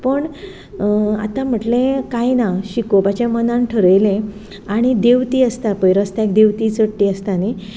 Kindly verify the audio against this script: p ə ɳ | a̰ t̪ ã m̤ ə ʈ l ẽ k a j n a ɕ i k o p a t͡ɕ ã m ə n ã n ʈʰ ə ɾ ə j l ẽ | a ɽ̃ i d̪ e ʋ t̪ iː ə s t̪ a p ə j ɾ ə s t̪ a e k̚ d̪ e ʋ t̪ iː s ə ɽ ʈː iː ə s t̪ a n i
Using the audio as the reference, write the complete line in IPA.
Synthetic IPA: p ə ɳ | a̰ t̪ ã m̤ ə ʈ l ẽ k a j n a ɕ i k o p a t͡ɕ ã m ə n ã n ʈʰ ə ɾ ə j l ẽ | a ɽ̃ i d̪ e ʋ t̪ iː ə s t̪ a p ə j ɾ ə s t̪ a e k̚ d̪ e ʋ t̪ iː t͡s ə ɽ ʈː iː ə s t̪ a n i